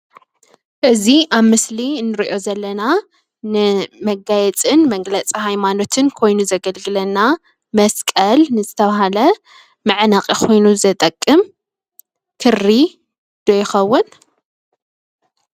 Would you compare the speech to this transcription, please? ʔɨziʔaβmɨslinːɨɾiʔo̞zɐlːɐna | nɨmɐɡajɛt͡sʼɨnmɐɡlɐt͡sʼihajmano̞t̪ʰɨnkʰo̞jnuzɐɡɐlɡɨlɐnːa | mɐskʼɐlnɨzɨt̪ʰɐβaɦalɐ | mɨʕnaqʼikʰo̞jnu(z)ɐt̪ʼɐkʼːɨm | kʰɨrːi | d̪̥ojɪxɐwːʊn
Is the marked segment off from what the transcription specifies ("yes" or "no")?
no